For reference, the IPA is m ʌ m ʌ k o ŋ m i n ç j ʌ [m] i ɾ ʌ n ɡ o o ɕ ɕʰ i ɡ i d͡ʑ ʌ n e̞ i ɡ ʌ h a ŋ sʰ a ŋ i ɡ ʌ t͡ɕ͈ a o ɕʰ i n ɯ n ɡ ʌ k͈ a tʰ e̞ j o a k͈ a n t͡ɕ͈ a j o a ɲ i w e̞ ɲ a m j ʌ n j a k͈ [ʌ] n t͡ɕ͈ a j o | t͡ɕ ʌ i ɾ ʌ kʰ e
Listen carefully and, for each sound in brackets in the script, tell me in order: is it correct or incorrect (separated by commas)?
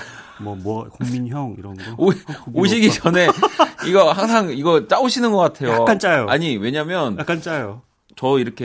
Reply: incorrect, incorrect